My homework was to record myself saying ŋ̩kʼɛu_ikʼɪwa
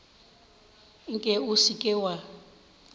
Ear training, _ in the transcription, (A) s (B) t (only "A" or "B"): A